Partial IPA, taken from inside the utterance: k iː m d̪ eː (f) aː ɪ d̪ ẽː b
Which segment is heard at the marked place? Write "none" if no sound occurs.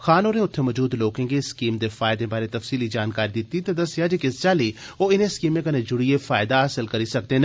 f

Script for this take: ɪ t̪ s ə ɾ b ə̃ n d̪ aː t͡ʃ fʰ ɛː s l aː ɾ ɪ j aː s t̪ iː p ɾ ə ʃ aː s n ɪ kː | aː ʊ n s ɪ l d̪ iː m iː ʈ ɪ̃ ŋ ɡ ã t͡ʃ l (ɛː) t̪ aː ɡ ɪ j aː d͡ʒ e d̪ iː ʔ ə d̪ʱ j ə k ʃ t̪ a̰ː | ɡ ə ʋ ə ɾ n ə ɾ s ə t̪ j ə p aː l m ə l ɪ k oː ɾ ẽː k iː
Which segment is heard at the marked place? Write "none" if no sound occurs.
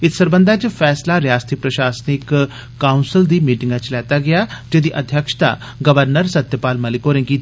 ɛː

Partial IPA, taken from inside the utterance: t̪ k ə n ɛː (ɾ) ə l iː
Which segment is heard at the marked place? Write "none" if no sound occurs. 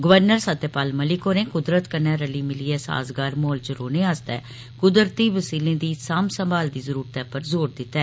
ɾ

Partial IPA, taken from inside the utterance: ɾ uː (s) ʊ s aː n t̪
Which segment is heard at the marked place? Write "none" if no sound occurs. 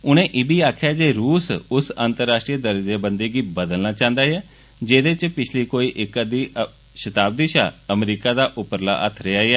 s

